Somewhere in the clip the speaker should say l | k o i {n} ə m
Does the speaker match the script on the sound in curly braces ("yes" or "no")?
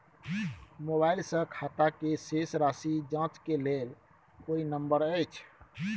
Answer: yes